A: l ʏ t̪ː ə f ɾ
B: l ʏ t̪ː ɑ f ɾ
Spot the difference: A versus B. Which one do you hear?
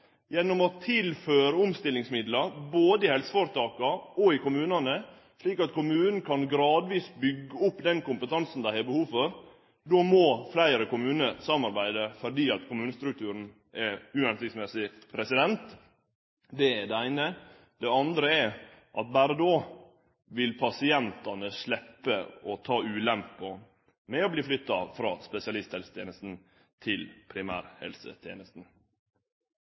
B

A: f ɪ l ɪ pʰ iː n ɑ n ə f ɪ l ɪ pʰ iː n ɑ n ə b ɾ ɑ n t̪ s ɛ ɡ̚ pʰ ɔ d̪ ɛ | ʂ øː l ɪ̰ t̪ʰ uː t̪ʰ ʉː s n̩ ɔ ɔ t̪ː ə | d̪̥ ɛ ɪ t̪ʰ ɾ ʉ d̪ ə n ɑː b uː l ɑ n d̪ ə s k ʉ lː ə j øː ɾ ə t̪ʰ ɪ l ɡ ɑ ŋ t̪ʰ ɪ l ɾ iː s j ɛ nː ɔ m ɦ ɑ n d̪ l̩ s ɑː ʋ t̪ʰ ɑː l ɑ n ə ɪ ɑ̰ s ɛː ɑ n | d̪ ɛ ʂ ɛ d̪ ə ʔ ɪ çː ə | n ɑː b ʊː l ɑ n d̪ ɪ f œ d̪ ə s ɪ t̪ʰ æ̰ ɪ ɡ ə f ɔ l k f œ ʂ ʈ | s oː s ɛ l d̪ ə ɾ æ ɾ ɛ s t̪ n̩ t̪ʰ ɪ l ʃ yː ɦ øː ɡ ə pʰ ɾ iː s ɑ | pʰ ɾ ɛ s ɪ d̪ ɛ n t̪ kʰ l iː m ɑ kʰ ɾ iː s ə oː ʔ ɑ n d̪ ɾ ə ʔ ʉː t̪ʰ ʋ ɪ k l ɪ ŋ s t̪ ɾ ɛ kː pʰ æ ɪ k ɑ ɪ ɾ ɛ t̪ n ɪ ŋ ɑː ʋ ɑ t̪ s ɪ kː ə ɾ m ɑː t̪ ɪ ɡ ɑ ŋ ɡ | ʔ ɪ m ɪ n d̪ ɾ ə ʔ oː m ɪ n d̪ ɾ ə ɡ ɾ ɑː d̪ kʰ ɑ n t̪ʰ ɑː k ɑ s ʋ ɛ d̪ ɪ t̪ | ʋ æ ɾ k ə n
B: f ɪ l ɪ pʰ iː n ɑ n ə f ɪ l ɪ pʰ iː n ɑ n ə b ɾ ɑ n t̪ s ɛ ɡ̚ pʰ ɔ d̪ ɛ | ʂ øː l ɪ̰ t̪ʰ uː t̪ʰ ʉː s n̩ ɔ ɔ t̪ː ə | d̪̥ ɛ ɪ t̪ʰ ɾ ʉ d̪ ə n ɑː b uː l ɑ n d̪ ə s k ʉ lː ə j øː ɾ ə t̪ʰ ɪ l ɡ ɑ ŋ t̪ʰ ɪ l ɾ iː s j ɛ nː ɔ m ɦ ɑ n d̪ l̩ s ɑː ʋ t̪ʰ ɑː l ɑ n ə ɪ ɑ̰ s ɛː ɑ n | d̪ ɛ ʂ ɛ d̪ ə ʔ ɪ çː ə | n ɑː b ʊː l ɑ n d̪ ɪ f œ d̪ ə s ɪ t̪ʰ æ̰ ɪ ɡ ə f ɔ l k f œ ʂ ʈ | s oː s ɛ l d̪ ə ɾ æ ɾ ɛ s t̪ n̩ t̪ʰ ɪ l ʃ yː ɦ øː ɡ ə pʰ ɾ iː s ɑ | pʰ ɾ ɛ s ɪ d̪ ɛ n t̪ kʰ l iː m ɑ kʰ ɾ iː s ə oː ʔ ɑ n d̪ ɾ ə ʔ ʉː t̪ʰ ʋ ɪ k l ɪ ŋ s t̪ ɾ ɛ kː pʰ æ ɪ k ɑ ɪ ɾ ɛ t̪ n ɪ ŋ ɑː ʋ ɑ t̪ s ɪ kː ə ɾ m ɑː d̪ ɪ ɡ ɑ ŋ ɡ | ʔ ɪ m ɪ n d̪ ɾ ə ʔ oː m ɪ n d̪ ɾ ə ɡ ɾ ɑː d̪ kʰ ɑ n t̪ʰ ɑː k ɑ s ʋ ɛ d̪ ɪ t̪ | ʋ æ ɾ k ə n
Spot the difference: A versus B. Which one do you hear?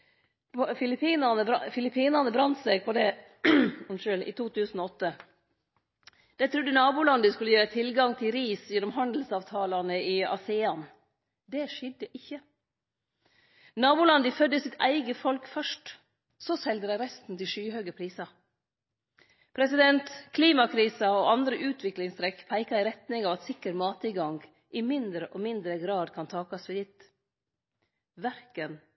A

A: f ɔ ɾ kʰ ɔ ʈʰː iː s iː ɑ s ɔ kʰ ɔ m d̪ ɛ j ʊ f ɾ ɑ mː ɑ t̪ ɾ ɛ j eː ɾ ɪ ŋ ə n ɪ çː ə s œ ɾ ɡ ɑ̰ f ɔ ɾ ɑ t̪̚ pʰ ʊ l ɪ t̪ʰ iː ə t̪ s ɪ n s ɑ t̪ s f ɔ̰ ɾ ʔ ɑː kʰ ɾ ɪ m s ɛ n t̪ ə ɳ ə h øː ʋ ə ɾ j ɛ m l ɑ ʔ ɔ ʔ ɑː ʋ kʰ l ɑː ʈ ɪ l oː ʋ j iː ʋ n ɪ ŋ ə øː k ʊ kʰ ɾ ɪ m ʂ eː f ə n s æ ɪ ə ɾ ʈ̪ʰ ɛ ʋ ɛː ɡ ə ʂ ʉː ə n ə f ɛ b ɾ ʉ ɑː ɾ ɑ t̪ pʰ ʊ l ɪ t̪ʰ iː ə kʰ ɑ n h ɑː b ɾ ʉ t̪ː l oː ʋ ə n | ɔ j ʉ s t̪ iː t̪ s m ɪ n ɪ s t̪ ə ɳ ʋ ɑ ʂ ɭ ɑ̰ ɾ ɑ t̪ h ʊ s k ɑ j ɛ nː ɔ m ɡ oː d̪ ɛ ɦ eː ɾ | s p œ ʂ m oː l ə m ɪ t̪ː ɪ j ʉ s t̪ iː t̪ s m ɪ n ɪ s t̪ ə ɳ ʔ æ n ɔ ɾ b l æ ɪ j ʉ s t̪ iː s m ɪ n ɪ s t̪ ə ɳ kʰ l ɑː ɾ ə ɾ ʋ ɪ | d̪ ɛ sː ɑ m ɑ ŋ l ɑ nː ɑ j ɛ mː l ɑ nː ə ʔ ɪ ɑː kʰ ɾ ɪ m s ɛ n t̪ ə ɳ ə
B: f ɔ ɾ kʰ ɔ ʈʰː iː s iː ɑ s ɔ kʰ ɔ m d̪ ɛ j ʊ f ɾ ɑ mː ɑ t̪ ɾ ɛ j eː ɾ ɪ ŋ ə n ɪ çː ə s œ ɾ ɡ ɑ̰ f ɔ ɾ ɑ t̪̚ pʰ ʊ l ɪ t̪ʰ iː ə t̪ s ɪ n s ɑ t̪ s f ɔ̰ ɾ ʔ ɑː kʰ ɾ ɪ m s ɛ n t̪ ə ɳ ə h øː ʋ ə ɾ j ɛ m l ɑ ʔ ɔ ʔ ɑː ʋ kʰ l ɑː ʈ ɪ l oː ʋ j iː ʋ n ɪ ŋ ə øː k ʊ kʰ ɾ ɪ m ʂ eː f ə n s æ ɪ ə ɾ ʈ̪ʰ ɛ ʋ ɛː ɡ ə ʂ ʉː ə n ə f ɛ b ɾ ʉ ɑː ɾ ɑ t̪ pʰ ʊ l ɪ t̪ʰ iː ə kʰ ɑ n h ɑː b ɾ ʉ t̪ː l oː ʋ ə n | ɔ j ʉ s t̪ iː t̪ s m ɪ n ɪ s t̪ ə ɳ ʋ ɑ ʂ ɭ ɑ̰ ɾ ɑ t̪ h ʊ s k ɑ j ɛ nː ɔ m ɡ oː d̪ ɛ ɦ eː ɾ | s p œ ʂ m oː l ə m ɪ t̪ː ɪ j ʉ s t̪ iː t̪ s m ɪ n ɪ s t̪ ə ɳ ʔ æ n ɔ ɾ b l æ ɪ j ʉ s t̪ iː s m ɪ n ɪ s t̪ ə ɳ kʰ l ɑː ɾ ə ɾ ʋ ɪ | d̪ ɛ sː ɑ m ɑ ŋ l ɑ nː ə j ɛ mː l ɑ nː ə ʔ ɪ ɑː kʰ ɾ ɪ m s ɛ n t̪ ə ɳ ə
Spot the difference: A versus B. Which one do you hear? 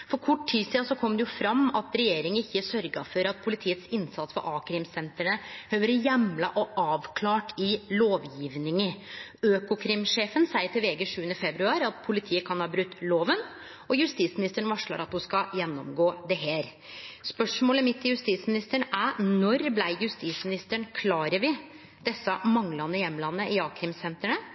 B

